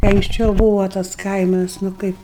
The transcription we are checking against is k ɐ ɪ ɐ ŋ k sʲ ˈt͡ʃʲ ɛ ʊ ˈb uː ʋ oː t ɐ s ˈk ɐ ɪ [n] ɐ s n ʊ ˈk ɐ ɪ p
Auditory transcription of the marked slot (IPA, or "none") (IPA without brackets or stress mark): m